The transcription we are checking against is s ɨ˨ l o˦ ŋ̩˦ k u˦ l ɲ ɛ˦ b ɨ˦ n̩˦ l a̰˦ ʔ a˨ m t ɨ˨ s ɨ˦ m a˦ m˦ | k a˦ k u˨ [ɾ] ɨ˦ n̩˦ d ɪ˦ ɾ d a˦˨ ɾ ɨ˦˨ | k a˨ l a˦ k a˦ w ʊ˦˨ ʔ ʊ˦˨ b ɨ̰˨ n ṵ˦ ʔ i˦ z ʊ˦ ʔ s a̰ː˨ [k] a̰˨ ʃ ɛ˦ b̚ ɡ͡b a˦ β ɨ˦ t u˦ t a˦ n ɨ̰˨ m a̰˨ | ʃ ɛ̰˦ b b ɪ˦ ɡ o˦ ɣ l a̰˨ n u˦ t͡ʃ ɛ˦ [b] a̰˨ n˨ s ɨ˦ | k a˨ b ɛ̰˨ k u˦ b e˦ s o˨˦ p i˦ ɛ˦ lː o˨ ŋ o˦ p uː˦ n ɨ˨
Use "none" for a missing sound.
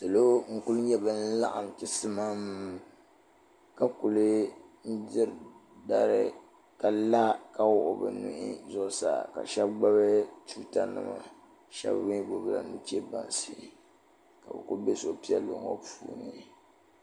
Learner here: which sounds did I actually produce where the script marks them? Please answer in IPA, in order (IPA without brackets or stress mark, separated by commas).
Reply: l, k, b